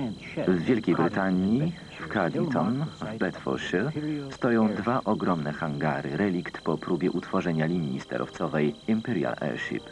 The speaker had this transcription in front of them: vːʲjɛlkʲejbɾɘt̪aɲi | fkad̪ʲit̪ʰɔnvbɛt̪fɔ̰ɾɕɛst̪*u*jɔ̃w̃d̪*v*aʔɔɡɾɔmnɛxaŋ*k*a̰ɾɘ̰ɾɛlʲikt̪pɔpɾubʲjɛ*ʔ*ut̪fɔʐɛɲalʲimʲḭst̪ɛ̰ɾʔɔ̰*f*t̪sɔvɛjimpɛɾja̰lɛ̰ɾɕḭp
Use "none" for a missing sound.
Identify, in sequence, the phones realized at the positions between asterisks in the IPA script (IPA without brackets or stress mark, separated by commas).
ɔ, v, ɡ, ʔ, f